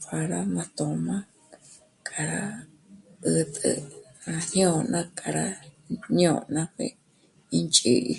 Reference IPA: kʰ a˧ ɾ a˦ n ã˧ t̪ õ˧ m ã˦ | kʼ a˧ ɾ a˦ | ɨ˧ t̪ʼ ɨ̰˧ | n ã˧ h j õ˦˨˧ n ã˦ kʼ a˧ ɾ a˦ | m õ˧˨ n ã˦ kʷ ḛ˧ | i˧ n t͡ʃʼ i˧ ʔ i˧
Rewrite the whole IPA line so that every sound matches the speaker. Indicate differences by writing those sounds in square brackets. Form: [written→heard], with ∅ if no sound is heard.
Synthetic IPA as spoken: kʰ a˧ ɾ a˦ [n→m] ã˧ t̪ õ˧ m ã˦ | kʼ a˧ ɾ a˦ | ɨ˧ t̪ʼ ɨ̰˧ | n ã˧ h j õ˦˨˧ n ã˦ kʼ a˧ ɾ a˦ | [m→ɲ] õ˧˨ n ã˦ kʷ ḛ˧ | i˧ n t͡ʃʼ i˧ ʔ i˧

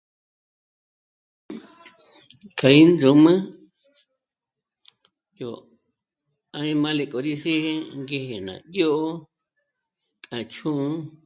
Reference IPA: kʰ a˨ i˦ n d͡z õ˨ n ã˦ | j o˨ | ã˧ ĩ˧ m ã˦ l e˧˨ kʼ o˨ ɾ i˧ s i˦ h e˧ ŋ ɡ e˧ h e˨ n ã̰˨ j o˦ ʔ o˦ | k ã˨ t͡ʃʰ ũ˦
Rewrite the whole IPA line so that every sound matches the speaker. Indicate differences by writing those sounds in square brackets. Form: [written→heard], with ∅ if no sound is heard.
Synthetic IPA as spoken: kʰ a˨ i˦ n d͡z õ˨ [n→m] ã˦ | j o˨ | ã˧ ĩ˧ m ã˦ l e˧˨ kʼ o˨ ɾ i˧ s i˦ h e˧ ŋ ɡ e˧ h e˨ n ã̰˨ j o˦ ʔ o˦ | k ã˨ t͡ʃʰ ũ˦

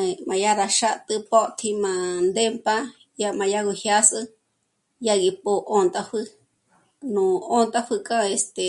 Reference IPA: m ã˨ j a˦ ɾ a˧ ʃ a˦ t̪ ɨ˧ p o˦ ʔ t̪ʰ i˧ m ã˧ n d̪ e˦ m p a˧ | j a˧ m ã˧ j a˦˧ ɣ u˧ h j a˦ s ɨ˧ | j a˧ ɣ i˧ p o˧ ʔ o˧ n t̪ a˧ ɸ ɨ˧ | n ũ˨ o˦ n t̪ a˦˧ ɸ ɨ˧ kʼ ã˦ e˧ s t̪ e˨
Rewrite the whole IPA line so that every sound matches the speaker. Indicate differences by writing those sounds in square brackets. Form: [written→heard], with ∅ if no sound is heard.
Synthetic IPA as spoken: m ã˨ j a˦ ɾ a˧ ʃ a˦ t̪ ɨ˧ p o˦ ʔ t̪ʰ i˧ m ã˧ n d̪ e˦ m p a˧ | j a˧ m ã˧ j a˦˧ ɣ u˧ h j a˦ s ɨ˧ | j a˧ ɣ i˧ p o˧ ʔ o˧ n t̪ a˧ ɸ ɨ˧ | n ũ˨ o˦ n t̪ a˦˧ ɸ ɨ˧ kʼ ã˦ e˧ s t̪ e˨

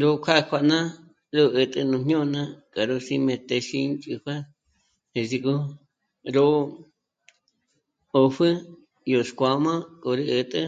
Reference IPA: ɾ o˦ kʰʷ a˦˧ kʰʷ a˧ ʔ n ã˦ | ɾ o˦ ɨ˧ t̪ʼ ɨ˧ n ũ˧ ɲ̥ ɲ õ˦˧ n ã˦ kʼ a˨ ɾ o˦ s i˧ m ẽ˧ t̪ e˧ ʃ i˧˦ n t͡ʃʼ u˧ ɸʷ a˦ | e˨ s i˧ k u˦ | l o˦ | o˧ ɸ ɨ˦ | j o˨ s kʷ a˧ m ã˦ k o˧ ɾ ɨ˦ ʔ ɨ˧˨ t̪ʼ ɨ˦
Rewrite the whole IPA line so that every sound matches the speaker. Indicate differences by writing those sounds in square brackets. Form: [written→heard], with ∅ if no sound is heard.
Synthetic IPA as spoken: ɾ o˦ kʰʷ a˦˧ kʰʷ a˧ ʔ n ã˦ | ɾ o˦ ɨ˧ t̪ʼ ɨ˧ n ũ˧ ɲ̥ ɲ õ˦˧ n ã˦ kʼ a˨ ɾ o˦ s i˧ m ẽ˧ t̪ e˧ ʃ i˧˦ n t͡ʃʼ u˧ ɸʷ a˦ | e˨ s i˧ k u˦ | [l→ɾ] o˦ | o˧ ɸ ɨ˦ | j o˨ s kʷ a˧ m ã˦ k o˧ ɾ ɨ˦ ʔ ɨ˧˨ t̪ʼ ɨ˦

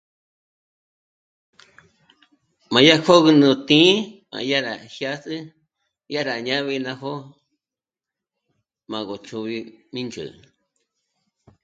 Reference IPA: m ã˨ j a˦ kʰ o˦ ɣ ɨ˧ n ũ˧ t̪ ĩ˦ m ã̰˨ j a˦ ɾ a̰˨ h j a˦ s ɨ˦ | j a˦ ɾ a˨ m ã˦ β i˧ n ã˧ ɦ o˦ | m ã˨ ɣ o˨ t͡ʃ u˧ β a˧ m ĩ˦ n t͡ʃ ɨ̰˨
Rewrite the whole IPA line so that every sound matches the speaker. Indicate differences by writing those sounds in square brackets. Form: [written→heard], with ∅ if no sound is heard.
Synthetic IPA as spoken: m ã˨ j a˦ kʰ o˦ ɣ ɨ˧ n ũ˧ t̪ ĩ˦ m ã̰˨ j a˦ ɾ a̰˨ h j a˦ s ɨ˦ | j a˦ ɾ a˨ [m→ɲ] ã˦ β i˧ n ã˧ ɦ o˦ | m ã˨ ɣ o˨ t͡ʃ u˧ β [a˧→i˧] m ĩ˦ n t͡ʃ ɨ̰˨

